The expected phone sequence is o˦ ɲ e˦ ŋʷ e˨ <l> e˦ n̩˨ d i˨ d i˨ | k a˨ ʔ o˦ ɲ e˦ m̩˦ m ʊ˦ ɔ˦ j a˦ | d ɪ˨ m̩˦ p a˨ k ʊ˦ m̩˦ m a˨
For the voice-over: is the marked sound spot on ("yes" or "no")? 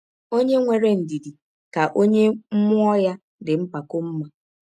no